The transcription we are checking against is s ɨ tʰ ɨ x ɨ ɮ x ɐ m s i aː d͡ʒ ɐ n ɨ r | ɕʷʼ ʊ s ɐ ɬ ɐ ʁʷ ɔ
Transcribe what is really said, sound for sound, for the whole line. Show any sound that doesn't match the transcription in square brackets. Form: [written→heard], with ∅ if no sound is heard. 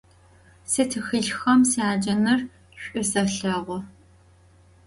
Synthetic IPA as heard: s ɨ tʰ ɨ x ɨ ɮ x ɐ m s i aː d͡ʒ ɐ n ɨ r | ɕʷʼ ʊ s ɐ ɬ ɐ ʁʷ ɔ

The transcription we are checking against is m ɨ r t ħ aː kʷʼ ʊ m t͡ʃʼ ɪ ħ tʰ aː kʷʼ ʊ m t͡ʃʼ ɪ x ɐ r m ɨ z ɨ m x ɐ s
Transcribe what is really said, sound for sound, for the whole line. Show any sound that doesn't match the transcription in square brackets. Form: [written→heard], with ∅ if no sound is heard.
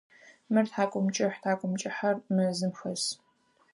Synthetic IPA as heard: m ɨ r t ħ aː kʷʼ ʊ m t͡ʃʼ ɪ ħ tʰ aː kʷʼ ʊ m t͡ʃʼ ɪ [x→ħ] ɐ r m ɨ z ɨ m x ɐ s

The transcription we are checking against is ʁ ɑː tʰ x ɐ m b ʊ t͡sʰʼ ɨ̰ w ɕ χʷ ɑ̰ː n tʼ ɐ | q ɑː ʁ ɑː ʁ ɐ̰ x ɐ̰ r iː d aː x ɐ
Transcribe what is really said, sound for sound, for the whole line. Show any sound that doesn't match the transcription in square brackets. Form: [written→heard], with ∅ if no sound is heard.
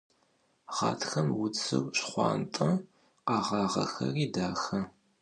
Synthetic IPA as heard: ʁ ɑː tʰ x ɐ m [b→w] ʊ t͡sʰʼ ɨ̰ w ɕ χʷ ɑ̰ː n tʼ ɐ | q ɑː ʁ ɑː ʁ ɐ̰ x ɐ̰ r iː d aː x ɐ

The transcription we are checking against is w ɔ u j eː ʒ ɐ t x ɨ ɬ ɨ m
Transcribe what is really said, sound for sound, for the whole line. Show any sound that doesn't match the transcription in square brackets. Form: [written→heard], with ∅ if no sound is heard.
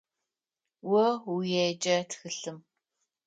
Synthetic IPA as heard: w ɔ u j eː [ʒ→d͡ʒ] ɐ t x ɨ ɬ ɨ m

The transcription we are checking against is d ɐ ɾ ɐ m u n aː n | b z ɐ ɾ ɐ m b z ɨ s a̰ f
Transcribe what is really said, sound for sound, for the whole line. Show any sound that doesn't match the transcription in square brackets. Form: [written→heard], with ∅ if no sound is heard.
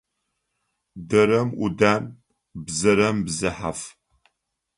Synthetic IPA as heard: d ɐ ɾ ɐ m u [n→d] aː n | b z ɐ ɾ ɐ m b z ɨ [s→ħ] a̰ f

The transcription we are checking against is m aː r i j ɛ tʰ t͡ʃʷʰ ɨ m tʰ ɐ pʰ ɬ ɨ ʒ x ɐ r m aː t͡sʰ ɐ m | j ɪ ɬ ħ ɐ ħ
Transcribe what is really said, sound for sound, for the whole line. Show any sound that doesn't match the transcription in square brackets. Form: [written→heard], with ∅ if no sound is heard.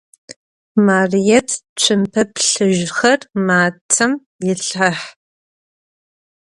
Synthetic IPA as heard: m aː r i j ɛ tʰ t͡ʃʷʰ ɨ m [tʰ→pʰ] ɐ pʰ ɬ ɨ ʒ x ɐ r m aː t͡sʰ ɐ m | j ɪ ɬ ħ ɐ ħ

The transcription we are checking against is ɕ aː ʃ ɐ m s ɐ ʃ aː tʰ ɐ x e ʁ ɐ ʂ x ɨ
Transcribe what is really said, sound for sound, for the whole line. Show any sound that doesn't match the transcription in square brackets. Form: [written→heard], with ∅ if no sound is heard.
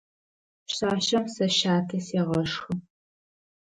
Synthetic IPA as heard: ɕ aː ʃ ɐ m s ɐ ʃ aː tʰ ɐ [x→s] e ʁ ɐ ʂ x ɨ

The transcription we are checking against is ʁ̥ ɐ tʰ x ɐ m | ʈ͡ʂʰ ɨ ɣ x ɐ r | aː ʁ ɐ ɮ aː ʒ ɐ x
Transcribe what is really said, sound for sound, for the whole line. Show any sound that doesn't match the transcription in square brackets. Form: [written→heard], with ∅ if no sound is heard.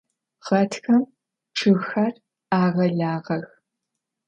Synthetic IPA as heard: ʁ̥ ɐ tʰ x ɐ m | ʈ͡ʂʰ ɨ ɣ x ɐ r | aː ʁ ɐ ɮ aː [ʒ→ʁ] ɐ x

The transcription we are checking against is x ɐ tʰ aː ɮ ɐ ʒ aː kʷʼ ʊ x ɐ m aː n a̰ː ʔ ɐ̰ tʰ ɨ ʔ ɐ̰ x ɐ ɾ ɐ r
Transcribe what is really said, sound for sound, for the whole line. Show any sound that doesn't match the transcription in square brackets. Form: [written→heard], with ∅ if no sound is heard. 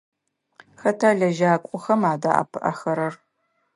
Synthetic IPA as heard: x ɐ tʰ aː ɮ ɐ ʒ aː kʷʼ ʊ x ɐ m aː [n→d] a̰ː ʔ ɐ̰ [tʰ→pʰ] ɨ ʔ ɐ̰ x ɐ ɾ ɐ r

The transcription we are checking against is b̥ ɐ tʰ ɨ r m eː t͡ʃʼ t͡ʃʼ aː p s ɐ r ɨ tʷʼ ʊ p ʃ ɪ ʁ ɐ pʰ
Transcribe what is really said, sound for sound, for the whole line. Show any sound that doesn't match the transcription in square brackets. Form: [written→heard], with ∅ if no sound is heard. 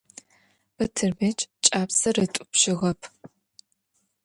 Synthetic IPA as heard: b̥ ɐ tʰ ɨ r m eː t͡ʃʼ t͡ʃʼ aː p s ɐ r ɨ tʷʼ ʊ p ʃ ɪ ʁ ɐ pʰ

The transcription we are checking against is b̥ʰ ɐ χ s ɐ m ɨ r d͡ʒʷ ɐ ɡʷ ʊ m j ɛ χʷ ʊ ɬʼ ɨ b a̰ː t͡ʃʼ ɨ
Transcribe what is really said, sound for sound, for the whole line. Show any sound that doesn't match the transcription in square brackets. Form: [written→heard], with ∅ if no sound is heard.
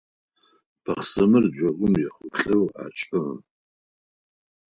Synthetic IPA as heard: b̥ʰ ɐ χ s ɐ m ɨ r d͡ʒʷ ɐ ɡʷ ʊ m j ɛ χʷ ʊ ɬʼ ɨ [b→w] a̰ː t͡ʃʼ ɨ

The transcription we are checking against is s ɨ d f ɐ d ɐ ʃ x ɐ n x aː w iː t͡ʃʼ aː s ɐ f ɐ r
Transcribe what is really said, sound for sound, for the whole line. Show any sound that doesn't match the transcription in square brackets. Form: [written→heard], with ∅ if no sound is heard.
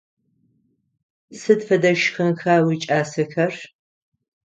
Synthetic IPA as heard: s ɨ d f ɐ d ɐ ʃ x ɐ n x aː w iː t͡ʃʼ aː s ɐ [f→x] ɐ r

